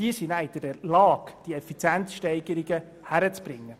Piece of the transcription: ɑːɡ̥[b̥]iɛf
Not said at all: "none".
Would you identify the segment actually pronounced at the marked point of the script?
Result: d̥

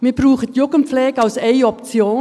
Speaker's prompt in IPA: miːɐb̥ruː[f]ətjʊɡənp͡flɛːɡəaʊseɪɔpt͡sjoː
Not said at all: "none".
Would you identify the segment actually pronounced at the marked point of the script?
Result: χ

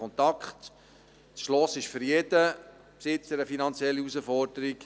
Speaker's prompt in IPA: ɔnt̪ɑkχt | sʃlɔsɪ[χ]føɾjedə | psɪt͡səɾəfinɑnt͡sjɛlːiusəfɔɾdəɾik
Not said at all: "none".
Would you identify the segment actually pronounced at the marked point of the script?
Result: ʃ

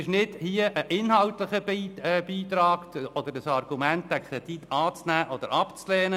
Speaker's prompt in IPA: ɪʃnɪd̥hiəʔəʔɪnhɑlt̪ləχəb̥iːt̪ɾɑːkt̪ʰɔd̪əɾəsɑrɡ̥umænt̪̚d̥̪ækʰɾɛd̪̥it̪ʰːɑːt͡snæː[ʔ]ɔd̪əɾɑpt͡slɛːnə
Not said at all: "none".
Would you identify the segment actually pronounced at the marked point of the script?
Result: ʔ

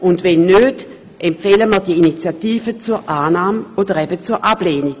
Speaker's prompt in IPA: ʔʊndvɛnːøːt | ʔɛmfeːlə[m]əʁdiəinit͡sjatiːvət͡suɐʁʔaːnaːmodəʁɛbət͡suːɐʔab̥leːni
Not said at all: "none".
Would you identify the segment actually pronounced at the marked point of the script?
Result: m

